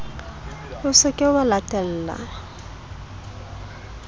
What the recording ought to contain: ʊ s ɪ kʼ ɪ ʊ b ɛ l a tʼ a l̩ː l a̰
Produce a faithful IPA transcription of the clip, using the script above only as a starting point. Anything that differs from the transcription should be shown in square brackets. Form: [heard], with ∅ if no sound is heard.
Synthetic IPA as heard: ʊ s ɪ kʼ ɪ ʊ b [a] l a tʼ [ɛ] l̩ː l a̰